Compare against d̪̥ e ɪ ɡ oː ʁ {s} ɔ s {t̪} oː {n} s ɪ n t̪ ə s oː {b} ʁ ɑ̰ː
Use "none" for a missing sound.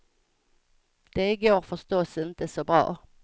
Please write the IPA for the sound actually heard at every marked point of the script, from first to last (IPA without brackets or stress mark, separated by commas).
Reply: f, t̪, none, b